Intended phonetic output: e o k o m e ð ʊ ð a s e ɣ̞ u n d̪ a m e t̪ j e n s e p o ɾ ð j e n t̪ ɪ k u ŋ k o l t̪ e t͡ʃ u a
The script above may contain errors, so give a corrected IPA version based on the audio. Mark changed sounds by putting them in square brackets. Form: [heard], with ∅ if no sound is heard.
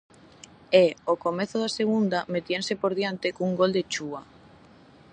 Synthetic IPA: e o k o m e [θ] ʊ ð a s e ɣ̞ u n d̪ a m e t̪ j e n s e p o ɾ ð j [a] n t̪ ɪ k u ŋ [ɡ] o l [d̪] e t͡ʃ u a